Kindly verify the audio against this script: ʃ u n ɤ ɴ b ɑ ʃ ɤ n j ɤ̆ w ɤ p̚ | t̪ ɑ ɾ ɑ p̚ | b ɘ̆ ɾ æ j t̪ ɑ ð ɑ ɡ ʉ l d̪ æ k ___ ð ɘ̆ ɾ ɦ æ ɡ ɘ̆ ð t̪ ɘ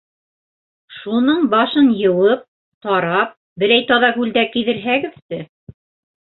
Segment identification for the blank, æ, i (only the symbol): i